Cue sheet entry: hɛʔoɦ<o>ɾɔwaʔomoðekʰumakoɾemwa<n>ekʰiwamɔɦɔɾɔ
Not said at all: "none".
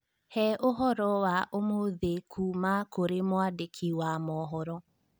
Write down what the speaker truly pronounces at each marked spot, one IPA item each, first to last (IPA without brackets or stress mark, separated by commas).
ɔ, d